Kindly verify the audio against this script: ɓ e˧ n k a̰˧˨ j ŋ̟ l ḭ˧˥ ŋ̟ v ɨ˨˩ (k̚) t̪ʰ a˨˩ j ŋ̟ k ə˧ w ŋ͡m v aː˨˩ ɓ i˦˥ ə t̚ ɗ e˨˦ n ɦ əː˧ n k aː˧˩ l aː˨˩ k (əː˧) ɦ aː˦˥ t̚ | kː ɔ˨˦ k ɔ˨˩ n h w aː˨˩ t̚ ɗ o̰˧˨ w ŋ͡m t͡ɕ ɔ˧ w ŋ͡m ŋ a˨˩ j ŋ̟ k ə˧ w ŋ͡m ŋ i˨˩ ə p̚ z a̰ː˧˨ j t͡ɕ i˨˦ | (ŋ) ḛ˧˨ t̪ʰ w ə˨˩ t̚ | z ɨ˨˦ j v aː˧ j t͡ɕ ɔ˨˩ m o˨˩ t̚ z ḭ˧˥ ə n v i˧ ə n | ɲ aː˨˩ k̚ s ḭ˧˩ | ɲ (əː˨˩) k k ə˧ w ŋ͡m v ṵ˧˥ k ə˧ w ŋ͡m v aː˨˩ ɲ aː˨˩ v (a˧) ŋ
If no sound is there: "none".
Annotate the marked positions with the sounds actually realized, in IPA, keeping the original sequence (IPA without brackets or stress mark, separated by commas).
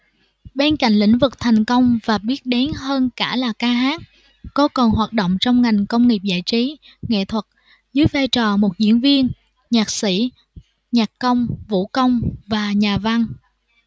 k̚, aː˧, ŋ, aː˨˩, a˧